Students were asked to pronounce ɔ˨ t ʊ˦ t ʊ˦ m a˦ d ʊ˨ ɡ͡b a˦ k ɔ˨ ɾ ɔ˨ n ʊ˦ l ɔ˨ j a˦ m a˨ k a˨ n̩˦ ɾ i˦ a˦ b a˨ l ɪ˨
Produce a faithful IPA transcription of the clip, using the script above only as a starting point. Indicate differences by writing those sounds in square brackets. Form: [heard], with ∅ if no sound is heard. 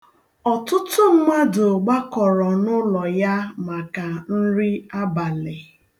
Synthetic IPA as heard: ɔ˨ t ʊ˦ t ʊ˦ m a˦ d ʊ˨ ɡ͡b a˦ k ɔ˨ ɾ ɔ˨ n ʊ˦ l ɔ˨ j a˦ m a˨ k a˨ n̩˦ ɾ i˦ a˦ b a˨ l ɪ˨